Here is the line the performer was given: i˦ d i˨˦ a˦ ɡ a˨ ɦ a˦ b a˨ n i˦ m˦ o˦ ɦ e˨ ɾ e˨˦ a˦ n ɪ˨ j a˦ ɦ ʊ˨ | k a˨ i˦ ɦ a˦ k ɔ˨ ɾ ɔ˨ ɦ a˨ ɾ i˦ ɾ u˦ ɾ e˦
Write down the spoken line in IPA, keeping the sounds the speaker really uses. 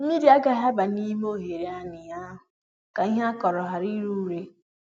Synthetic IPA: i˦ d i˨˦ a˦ ɡ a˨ ɦ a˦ b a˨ n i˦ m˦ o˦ ɦ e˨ ɾ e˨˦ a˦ n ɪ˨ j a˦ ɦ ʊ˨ | k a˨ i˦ ɦ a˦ k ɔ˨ ɾ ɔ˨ ɦ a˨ ɾ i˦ ɾ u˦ ɾ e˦